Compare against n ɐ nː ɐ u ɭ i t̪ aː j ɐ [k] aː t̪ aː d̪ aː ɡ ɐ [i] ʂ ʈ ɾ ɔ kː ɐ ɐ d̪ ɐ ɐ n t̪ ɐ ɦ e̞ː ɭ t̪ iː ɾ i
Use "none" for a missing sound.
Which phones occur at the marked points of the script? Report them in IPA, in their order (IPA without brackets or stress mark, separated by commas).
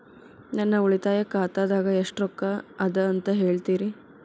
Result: k, e